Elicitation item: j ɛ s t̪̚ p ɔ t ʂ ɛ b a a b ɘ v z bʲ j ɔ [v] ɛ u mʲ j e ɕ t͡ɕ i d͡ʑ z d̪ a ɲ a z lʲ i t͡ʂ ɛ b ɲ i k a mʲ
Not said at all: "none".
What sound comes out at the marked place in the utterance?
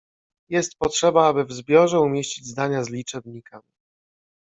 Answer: ʐ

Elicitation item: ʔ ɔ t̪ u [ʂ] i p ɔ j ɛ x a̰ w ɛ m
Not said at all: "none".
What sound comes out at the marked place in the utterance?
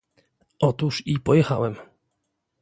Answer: ʂ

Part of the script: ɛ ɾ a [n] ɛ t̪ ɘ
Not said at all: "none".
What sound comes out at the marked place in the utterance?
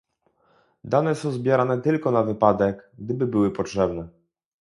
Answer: n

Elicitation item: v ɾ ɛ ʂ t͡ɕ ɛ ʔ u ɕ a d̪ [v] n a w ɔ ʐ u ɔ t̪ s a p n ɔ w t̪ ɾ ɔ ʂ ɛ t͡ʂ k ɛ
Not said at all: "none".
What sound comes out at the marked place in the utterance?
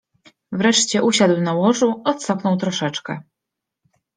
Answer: w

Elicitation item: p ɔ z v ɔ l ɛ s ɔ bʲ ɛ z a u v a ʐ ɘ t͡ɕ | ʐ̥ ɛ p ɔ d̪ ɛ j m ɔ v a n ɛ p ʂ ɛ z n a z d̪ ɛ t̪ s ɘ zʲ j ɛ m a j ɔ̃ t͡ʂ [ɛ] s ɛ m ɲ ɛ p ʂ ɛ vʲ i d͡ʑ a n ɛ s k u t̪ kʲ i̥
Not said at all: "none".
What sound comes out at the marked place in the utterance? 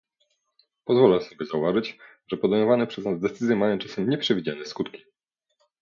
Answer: a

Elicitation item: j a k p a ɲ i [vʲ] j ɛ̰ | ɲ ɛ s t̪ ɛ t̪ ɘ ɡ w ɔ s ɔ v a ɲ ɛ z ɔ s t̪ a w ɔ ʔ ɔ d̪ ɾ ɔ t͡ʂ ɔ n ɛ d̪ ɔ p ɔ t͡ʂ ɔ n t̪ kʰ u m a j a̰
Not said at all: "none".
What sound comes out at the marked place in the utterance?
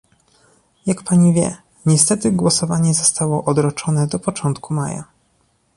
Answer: vʲ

